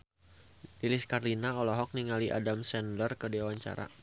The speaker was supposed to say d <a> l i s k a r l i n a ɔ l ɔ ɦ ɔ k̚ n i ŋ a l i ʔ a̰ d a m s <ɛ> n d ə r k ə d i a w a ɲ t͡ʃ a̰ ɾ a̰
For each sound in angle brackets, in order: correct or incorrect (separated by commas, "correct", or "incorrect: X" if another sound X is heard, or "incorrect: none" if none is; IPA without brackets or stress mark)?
incorrect: i, correct